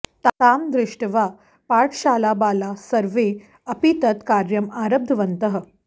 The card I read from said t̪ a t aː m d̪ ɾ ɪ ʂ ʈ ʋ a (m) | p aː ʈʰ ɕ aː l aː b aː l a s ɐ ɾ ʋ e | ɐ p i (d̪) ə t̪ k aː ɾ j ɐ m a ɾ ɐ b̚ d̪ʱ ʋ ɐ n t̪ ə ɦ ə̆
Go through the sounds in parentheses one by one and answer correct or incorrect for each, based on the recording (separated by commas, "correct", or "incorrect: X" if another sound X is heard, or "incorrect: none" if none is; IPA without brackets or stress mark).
incorrect: none, incorrect: t̪